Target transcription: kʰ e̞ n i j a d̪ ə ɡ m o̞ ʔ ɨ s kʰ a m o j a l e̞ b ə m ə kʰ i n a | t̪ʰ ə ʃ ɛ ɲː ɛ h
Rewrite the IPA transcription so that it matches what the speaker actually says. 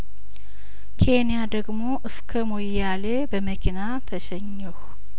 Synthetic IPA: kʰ e̞ n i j a d̪ ə ɡ m o̞ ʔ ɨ s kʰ ə m o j a l e̞ b ə m ə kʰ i n a | t̪ʰ ə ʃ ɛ ɲː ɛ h